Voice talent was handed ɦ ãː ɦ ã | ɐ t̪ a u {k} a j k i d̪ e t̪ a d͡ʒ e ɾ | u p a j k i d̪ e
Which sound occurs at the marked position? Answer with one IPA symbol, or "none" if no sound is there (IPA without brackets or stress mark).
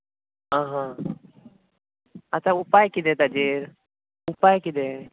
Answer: p